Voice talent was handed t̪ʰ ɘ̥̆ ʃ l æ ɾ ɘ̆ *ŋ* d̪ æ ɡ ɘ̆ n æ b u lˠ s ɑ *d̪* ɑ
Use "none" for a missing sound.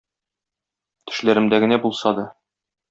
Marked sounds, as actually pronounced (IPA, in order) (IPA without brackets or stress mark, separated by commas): m, d̪